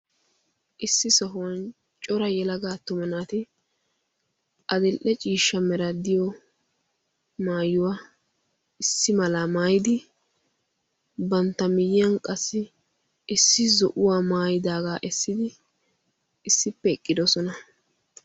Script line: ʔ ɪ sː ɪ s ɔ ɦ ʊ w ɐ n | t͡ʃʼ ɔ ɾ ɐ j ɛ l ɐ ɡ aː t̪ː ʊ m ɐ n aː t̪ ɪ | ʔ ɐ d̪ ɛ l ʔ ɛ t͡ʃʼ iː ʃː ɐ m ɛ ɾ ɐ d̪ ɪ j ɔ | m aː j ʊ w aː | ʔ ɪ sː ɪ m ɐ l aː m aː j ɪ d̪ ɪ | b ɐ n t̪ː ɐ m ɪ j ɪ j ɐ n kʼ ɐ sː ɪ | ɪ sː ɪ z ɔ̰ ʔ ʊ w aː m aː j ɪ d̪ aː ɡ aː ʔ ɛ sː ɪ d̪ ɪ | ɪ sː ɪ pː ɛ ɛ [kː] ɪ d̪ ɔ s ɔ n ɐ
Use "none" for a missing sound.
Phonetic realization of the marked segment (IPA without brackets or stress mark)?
kʼː